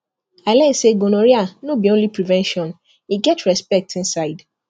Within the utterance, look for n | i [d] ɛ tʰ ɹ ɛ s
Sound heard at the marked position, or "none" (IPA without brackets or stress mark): ɡ